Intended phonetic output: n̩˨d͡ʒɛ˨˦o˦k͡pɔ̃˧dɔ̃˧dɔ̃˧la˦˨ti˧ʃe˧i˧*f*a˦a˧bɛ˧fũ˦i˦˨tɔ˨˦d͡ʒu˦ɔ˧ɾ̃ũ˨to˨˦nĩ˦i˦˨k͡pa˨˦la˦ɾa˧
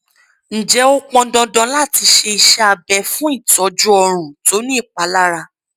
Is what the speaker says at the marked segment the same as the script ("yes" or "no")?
no